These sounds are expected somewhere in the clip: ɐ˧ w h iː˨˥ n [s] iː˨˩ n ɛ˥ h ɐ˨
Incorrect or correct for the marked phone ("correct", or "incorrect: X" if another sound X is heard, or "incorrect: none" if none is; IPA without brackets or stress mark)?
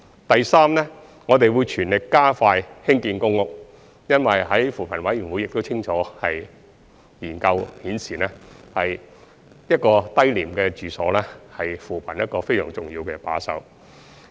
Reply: correct